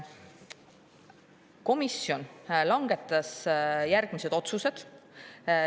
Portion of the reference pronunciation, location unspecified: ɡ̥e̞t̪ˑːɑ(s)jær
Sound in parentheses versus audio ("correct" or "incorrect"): correct